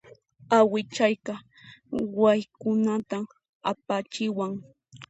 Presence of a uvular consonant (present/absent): absent